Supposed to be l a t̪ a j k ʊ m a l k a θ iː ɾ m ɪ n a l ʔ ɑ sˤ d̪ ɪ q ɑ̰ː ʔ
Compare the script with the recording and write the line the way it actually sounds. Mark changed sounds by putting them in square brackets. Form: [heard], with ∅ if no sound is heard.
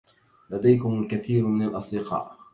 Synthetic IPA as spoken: l a [d̪] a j k ʊ m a l k a θ iː ɾ m ɪ n a l ʔ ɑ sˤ d̪ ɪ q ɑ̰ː ʔ